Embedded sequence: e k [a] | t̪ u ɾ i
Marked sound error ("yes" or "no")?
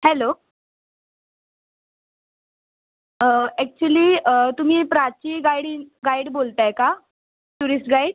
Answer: no